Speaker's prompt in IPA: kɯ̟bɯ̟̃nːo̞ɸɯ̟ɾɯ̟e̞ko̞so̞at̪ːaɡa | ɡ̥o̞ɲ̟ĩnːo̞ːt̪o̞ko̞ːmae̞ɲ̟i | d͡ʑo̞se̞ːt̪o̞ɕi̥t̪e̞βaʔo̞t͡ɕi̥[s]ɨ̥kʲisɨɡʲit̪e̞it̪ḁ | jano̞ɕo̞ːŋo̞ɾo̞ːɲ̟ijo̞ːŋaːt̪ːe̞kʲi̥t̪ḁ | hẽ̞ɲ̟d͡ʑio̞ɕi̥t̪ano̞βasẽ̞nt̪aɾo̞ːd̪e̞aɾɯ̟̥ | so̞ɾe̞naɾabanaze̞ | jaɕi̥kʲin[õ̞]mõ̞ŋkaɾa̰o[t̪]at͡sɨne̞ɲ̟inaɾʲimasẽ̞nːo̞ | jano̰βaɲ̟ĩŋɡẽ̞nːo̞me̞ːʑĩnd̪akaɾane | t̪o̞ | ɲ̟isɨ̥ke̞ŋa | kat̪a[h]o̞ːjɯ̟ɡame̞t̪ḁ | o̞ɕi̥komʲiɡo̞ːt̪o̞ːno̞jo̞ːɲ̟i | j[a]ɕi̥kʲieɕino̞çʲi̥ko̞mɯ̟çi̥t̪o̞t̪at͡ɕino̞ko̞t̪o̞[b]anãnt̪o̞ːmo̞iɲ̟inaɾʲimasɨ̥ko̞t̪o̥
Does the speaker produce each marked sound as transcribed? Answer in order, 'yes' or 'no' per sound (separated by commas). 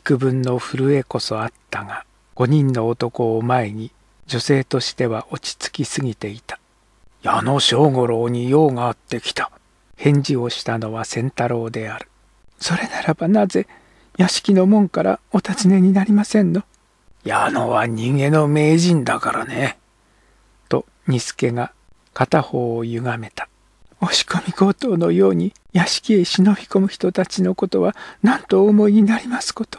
no, no, yes, yes, yes, no